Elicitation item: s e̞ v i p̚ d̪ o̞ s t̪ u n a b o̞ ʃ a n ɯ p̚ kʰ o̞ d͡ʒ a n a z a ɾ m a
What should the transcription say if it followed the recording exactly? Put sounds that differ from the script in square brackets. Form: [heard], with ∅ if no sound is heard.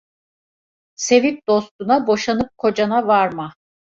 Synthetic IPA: s e̞ v i p̚ d̪ o̞ s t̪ u n a b o̞ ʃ a n ɯ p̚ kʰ o̞ d͡ʒ a n a [v] a ɾ m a